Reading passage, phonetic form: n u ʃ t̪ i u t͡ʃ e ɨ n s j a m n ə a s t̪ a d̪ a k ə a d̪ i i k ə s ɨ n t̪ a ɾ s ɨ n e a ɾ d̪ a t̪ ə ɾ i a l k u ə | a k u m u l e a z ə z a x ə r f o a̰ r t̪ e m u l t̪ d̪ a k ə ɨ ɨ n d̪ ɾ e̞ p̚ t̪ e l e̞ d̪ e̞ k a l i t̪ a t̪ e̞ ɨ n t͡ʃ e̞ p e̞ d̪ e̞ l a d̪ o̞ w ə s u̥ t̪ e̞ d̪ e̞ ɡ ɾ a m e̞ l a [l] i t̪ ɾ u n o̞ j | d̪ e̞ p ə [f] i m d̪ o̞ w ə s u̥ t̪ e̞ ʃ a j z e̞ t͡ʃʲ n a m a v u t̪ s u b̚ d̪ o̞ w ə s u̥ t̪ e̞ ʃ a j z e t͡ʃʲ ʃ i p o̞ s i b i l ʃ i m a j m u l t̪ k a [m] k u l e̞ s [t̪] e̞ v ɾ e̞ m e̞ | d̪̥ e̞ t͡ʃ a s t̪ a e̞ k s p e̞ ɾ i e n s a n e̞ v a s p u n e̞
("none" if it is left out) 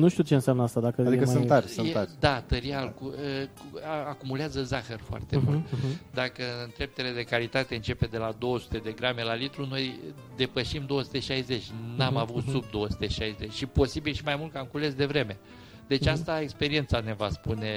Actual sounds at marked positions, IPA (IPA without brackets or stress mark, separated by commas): l, ʃ, m, d̪